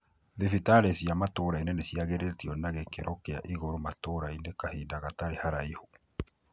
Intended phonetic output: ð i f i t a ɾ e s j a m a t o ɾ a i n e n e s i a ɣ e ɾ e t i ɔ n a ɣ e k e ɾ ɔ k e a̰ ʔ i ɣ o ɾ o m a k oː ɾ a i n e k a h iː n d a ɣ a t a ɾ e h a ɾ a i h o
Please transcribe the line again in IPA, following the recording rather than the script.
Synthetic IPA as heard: ð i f i t a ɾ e s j a m a t o ɾ a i n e n e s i a ɣ e ɾ e t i ɔ n a ɣ e k e ɾ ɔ k e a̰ ʔ i ɣ o ɾ o m a t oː ɾ a i n e k a h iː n d a ɣ a t a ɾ e h a ɾ a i h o